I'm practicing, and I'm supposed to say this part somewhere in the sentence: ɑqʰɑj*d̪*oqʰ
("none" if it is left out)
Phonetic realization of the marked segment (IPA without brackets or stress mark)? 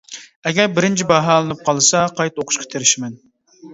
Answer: t̪